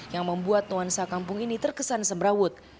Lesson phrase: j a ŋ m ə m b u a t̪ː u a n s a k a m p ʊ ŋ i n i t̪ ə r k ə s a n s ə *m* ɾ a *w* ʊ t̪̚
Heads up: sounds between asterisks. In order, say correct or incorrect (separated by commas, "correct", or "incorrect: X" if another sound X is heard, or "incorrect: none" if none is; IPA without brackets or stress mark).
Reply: correct, correct